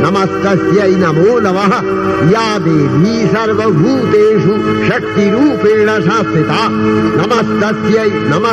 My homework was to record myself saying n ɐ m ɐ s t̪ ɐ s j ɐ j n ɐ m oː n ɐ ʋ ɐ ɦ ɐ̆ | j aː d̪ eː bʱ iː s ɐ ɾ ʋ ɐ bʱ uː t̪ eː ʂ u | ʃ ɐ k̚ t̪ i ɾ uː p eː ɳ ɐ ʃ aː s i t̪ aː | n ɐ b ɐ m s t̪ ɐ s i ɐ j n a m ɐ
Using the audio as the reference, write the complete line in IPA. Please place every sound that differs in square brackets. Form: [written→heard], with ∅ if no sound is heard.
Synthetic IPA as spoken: n ɐ m ɐ s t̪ ɐ s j ɐ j n ɐ m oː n ɐ ʋ ɐ ɦ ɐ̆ | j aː d̪ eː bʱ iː s ɐ ɾ ʋ ɐ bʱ uː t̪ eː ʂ u | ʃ ɐ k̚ t̪ i ɾ uː p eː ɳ ɐ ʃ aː s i t̪ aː | n ɐ [b→m] ɐ [m→∅] s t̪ ɐ s [i→j] ɐ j n [a→ɐ] m ɐ